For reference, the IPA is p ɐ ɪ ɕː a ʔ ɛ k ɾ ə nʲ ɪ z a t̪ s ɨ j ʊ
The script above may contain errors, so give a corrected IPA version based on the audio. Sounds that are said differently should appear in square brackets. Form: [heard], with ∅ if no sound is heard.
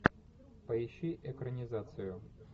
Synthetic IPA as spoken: p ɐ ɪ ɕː [i] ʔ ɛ k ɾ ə nʲ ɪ z a t̪ s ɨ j ʊ